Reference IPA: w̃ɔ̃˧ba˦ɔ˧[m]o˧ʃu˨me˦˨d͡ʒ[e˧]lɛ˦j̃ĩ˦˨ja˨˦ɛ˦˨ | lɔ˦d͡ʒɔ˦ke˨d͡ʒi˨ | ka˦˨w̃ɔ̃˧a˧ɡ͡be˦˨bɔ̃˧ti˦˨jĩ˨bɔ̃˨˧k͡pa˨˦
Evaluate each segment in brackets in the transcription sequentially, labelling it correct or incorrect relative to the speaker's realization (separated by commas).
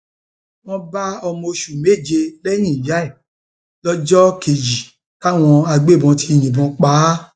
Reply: correct, correct